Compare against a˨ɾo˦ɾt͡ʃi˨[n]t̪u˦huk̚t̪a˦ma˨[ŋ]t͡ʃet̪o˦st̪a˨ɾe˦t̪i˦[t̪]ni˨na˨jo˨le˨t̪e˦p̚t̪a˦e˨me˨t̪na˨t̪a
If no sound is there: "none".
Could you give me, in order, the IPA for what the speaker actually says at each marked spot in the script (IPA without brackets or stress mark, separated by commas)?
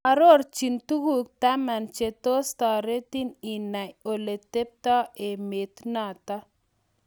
n, n, none